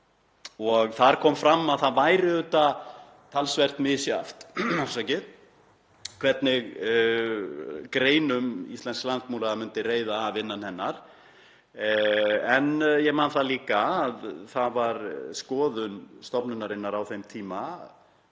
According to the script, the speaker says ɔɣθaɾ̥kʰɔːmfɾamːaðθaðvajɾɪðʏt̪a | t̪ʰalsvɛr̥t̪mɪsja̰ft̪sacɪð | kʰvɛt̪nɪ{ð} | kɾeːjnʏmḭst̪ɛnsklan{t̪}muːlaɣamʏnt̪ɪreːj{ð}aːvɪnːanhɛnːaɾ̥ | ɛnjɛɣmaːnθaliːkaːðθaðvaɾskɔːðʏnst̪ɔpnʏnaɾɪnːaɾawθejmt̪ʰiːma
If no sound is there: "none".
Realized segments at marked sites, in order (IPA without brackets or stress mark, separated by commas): ɣ, t̪, ð